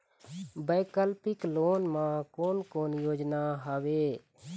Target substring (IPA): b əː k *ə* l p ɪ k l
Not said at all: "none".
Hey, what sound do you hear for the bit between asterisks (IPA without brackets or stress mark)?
ə